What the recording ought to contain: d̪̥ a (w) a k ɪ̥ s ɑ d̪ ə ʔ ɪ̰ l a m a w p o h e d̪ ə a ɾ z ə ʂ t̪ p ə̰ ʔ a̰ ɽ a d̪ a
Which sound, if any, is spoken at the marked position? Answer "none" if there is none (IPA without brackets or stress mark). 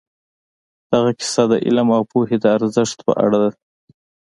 ɣ